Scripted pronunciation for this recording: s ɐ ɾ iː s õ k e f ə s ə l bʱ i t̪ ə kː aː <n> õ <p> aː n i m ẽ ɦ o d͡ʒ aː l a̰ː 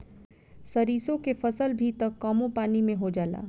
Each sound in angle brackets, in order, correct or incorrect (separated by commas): incorrect, correct